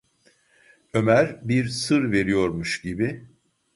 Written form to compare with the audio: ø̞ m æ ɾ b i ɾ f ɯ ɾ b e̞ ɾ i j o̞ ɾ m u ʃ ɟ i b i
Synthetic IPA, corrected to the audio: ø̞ m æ ɾ b i ɾ s ɯ ɾ v e̞ ɾ i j o̞ ɾ m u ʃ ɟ i b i